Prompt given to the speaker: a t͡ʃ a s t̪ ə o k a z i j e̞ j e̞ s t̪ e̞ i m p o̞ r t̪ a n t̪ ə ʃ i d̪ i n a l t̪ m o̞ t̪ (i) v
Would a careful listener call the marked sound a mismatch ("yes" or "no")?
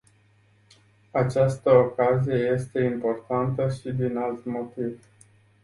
no